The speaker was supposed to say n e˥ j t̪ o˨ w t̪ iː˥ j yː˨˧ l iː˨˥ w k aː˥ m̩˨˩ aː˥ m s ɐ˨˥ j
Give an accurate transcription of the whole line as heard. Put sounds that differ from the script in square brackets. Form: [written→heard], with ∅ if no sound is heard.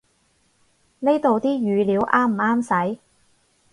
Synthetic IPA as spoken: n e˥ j t̪ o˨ w t̪ iː˥ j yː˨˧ l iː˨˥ w [k→ʔ] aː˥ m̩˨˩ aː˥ m s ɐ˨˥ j